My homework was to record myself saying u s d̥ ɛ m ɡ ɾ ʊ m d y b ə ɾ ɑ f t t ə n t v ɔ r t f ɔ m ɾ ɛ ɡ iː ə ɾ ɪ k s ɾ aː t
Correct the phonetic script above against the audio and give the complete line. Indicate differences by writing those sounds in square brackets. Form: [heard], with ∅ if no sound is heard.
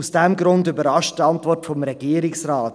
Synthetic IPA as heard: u s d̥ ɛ m ɡ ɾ ʊ [n] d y b ə ɾ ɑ [ʃ] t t [ɑ] n t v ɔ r t f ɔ m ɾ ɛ ɡ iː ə ɾ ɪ k s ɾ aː t

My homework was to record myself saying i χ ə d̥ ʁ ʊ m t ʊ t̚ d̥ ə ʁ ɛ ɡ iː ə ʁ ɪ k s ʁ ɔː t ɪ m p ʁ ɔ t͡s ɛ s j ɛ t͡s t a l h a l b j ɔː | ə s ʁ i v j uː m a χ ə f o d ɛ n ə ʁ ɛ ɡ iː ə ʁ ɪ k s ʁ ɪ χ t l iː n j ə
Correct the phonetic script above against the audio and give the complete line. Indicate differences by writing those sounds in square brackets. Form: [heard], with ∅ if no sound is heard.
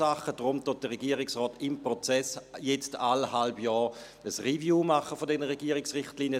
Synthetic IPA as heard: [a] χ ə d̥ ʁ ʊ m t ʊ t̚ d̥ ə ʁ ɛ ɡ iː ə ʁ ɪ k s ʁ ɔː t ɪ m p ʁ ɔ t͡s ɛ s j ɛ t͡s t a l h a l b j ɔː | ə s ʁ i v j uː m a χ ə f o d ɛ n ə ʁ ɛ ɡ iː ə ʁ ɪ k s ʁ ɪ χ t l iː n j ə

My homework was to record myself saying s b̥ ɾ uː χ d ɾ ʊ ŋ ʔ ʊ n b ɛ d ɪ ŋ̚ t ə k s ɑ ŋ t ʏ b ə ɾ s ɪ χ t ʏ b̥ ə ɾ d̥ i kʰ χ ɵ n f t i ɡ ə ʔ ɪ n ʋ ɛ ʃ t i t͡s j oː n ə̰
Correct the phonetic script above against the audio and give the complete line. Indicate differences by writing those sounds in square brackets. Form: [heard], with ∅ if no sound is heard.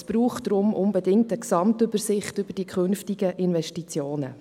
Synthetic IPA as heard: s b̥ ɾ uː χ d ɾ ʊ [m] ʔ ʊ n b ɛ d ɪ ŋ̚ t ə k s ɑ [m] t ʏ b ə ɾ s ɪ χ t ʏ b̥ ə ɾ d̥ i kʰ χ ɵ n f t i ɡ ə ʔ ɪ n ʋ ɛ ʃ t i t͡s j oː n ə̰

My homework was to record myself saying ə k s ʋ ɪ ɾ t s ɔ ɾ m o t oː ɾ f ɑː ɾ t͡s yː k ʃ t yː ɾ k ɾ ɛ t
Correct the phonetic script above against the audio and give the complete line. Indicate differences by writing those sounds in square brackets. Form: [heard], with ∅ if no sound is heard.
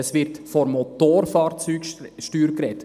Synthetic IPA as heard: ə [∅] s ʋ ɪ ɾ t [f] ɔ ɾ m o t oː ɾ f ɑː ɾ t͡s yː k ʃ t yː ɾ k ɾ ɛ t

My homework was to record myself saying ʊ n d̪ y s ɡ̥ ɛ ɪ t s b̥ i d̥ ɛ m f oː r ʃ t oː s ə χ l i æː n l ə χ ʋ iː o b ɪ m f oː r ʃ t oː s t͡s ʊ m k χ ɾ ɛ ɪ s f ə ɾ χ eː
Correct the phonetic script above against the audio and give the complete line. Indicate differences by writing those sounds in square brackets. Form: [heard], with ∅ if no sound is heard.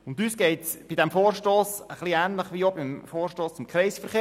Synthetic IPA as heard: ʊ n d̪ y s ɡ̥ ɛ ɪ t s b̥ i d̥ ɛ m f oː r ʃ t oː s ə χ l i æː n l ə χ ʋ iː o b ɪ m f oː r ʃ t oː s t͡s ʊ m k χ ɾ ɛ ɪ s f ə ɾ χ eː

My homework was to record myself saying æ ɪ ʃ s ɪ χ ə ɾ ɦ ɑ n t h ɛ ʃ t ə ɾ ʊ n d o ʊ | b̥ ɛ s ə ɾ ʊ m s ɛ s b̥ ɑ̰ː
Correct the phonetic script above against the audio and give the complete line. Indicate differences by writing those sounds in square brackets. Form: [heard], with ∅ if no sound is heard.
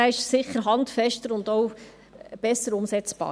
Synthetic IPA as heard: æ ɪ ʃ s ɪ χ ə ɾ ɦ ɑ n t [f] ɛ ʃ t ə ɾ ʊ n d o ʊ | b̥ ɛ s ə ɾ ʊ m s ɛ [t͡s] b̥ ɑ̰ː

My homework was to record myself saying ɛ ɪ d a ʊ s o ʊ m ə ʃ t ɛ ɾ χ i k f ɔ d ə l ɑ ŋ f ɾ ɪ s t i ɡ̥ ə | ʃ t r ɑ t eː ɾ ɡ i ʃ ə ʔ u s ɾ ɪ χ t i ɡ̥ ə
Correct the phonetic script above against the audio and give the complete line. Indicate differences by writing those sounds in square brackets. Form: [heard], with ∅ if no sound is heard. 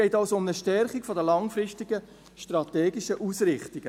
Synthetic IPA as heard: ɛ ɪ [t] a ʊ s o ʊ m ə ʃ t ɛ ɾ χ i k f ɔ d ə l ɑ ŋ f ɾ ɪ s t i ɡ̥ ə | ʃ t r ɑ t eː [∅] ɡ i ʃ ə ʔ u s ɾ ɪ χ t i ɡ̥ ə

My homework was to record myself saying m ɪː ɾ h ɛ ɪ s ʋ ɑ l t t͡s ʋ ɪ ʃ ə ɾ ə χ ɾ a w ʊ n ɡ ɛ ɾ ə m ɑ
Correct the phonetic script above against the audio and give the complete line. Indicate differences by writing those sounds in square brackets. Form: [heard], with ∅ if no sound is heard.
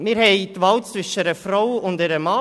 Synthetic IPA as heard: m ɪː ɾ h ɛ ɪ [t] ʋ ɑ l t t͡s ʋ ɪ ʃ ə ɾ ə [f] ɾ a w ʊ n [d] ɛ ɾ ə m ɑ

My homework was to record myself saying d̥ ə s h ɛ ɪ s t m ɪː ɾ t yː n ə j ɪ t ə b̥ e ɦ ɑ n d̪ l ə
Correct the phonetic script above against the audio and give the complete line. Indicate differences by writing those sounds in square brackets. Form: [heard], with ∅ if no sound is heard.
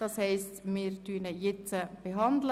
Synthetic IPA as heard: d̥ [ɑ] s h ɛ ɪ s t m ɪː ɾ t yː n ə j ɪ [t͡s] ə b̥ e ɦ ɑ n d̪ l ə

